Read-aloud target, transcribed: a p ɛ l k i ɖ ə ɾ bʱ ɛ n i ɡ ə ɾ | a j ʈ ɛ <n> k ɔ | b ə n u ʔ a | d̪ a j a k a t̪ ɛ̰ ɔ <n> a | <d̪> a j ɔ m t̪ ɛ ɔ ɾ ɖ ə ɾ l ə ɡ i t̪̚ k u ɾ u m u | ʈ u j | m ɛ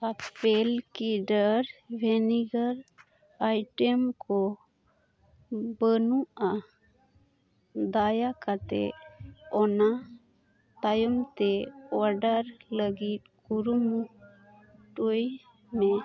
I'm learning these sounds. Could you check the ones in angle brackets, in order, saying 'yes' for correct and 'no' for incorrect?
no, yes, no

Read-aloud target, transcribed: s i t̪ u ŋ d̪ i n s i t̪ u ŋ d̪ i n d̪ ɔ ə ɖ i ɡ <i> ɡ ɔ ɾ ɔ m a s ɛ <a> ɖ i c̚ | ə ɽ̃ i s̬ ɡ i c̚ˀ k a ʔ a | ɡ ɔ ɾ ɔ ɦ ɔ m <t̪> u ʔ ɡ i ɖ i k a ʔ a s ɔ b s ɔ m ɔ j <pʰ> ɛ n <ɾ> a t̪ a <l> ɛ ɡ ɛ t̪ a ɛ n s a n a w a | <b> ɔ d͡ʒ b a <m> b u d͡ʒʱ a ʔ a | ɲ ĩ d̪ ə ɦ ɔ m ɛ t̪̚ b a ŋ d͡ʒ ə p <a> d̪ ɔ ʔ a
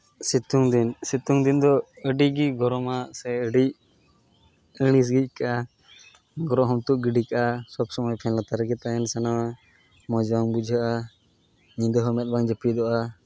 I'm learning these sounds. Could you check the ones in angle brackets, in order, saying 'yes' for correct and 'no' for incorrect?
yes, no, yes, yes, no, no, no, no, no

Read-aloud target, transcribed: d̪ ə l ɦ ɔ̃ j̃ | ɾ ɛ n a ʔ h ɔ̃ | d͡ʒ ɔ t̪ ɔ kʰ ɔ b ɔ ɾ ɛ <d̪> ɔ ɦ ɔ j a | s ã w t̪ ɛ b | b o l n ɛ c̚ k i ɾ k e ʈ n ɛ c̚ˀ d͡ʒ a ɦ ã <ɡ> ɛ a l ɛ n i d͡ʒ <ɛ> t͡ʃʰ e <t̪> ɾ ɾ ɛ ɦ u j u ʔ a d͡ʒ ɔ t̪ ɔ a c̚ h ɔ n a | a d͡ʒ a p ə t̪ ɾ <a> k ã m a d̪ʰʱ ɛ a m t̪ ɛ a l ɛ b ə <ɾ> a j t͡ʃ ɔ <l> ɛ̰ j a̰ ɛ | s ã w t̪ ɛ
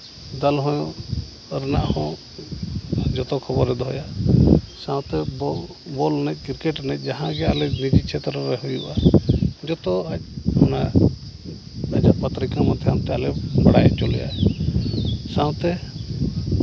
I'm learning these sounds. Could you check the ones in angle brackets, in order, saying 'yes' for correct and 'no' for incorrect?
yes, yes, no, yes, no, no, yes

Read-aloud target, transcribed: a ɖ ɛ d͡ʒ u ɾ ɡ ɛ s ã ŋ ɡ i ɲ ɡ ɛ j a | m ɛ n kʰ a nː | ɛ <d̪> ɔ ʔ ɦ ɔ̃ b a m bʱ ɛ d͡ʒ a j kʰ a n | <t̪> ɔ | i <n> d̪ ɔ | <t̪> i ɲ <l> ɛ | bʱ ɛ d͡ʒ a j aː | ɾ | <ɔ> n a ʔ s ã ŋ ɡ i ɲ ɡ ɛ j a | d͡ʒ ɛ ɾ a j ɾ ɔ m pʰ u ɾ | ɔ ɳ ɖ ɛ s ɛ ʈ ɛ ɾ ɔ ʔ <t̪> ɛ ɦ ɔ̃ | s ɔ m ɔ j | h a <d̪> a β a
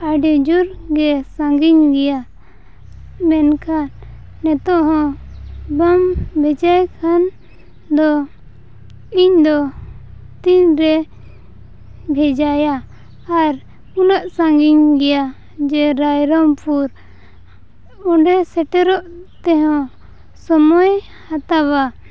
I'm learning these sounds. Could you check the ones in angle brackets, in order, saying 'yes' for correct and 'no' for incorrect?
no, no, no, yes, no, no, yes, no

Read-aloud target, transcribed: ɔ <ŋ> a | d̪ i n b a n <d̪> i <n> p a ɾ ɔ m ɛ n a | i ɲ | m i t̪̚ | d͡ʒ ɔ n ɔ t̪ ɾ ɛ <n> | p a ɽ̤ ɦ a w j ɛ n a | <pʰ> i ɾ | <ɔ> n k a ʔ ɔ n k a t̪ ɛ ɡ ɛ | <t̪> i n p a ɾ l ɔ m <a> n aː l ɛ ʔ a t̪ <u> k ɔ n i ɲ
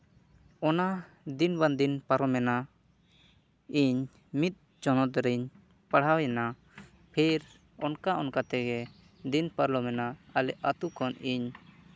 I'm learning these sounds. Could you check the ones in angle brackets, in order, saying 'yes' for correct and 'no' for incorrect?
no, yes, yes, no, yes, yes, no, no, yes

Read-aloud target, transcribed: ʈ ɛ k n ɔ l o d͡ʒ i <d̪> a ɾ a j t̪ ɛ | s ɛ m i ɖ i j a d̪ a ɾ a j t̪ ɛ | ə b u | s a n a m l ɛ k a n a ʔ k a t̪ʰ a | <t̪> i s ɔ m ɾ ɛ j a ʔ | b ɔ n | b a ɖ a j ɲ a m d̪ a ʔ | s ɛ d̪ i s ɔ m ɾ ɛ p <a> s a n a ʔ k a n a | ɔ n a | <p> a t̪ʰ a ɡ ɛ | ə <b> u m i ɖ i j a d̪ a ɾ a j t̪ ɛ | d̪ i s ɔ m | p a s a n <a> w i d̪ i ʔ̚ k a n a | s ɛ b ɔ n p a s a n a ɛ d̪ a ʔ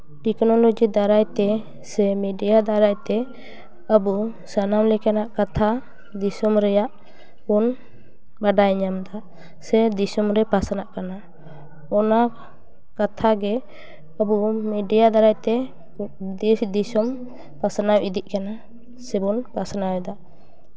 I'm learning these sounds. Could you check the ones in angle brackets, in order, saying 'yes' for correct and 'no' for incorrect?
yes, no, yes, no, yes, yes

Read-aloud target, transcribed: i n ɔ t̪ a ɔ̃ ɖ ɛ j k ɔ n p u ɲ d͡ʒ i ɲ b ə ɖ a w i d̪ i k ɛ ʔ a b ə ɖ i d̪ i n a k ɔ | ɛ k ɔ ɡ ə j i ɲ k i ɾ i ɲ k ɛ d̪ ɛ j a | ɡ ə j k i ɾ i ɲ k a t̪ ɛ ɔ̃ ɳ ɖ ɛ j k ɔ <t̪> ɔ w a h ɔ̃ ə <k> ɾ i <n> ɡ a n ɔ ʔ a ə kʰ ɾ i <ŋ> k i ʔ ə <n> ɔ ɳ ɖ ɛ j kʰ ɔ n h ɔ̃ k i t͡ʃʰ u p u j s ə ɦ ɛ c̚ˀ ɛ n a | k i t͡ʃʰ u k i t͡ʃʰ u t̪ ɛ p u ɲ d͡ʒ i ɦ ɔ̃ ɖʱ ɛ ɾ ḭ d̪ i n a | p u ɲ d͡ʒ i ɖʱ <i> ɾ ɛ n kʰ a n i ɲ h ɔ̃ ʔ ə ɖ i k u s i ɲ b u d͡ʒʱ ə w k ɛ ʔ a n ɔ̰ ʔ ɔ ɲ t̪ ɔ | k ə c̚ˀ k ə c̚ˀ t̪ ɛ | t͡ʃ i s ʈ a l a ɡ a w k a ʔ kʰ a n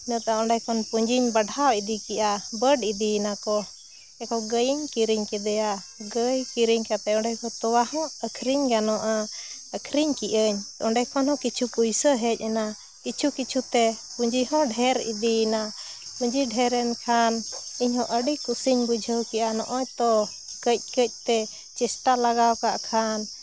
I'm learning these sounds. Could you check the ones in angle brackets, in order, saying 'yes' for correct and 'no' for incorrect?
yes, no, no, no, no, no

